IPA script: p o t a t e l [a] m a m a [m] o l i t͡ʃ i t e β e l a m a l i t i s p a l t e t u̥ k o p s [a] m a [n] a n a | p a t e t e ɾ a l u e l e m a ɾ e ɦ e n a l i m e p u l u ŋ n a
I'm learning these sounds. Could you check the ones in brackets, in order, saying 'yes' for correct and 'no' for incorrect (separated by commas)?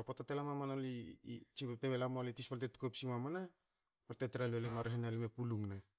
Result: yes, no, no, no